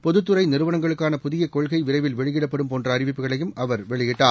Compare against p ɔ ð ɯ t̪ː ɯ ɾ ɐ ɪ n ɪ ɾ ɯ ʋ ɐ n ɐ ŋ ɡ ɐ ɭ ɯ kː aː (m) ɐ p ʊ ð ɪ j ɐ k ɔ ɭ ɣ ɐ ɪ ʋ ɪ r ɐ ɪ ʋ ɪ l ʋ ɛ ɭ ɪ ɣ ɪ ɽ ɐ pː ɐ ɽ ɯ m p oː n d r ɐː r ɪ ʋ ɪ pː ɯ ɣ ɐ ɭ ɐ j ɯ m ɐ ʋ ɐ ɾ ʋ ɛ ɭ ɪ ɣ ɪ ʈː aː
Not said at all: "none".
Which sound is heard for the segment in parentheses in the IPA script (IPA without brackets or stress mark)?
n